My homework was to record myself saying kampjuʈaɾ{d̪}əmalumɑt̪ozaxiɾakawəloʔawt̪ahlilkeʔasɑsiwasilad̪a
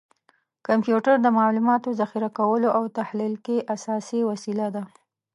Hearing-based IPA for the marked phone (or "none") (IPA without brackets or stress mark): d̪